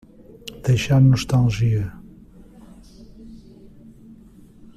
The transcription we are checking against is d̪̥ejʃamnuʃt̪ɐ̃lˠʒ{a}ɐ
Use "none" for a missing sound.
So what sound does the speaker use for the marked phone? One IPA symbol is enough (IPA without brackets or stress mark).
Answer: i